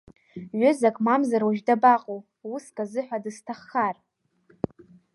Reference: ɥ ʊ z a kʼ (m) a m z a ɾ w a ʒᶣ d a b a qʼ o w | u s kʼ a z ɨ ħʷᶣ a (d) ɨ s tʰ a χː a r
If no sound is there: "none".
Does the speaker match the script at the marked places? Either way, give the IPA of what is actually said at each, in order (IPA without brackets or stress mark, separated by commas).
m, d